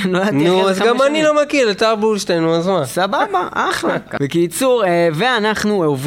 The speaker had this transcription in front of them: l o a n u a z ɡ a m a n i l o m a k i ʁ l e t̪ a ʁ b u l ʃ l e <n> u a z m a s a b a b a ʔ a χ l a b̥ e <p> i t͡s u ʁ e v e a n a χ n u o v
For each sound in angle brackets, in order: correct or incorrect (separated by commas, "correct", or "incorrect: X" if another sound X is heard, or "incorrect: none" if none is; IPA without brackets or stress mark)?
correct, incorrect: k